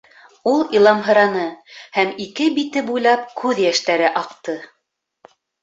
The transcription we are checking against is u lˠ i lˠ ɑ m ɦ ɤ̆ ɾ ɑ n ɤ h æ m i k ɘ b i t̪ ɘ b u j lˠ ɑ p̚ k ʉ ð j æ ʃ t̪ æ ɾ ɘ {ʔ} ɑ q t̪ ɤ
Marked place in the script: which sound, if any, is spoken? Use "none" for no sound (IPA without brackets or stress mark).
ʔ